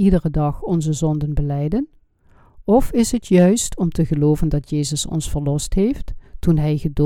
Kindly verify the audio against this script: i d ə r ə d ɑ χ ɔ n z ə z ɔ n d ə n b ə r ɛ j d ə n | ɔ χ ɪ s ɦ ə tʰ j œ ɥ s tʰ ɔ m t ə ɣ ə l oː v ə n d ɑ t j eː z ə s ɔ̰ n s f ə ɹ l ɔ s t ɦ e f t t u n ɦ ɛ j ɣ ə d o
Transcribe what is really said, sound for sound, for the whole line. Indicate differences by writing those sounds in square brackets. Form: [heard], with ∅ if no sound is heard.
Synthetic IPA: i d ə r ə d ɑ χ ɔ n z ə z ɔ n d ə n b ə [l] ɛ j d ə n | ɔ [f] ɪ s ɦ ə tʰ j œ ɥ s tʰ ɔ m t ə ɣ ə l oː v ə n d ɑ t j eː z ə s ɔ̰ n s f ə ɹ l ɔ s t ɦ e f t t u n ɦ ɛ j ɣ ə d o